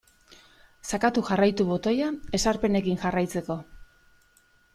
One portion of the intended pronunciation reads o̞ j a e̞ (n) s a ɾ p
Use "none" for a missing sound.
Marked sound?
none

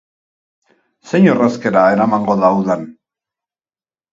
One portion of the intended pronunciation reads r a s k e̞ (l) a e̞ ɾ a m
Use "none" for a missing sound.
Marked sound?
ɾ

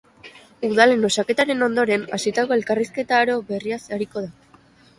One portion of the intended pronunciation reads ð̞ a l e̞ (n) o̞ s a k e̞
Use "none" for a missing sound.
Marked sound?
n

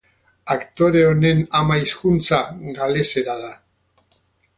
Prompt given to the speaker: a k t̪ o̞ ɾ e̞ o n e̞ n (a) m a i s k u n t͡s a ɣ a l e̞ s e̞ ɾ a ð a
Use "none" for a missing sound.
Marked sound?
a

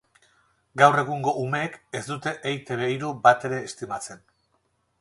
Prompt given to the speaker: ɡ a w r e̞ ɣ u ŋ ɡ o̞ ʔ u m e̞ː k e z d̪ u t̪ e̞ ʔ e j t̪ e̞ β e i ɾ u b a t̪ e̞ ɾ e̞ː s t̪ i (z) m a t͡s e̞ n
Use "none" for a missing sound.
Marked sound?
none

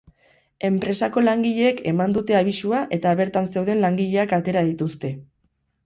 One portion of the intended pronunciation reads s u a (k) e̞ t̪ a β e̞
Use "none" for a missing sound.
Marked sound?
ʔ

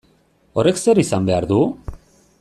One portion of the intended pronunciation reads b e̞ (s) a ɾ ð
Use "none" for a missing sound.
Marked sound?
none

